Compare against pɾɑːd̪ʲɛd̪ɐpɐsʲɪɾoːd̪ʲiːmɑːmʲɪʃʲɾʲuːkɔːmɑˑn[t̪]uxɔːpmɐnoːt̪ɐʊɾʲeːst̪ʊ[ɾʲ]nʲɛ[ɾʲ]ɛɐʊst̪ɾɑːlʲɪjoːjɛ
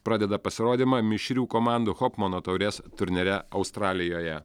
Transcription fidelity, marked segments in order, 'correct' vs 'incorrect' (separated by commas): incorrect, correct, correct